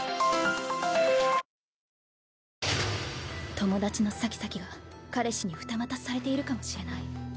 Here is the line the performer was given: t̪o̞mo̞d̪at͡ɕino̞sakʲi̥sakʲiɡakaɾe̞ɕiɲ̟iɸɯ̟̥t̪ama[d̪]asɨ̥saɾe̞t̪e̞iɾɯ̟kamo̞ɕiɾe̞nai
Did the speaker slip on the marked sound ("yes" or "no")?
yes